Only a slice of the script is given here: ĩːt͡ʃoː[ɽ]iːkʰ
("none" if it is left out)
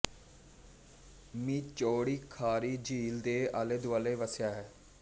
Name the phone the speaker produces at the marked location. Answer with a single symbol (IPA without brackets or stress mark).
ɽ